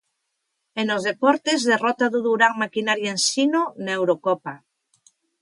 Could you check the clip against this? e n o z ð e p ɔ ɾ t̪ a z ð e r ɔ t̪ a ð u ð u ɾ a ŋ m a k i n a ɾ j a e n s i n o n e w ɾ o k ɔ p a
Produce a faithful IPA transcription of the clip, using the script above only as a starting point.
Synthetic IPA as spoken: e n o z ð e p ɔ ɾ t̪ e z ð e r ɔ t̪ a ð u ð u ɾ a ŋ m a k i n a ɾ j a e n s i n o n e w ɾ o k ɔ p a